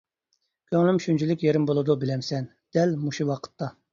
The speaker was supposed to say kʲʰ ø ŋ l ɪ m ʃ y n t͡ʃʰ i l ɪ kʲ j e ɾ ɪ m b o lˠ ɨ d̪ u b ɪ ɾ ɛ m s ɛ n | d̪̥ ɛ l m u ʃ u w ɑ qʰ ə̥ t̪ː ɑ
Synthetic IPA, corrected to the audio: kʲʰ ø ŋ l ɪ m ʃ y n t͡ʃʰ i l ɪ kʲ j e ɾ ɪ m b o lˠ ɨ d̪ u b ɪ l ɛ m s ɛ n | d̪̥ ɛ l m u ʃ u w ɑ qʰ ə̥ t̪ː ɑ